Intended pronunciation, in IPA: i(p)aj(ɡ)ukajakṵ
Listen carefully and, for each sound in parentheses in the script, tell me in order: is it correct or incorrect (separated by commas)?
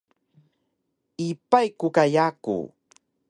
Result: correct, incorrect